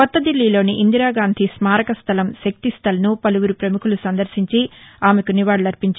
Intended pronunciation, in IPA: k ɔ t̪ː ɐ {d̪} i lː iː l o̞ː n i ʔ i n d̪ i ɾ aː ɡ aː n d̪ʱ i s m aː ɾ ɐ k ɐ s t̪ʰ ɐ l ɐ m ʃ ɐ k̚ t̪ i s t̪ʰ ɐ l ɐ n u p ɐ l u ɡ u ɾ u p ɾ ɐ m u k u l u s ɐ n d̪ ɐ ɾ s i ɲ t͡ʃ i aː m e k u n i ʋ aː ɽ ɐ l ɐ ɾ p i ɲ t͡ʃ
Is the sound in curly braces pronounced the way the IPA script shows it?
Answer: yes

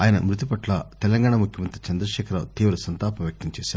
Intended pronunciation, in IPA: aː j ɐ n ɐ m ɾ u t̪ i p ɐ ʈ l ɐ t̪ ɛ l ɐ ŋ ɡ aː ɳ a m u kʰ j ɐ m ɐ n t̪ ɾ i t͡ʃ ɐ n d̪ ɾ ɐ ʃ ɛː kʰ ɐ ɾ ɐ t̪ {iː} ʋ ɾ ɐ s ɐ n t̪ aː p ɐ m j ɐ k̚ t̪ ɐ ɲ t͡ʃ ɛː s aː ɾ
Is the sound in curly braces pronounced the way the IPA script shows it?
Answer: yes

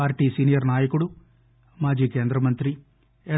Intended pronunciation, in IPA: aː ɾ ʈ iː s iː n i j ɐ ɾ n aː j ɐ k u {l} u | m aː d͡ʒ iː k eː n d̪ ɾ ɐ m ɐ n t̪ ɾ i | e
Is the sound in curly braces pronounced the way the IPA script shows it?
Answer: no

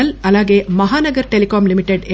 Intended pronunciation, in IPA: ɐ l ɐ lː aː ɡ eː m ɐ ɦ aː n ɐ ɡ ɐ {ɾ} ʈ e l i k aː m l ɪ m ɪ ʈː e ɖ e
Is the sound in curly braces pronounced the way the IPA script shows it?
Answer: yes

